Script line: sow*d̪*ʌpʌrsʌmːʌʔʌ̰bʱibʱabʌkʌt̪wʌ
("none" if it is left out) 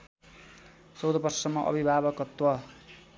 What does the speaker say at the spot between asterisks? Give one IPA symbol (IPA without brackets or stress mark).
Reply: d̪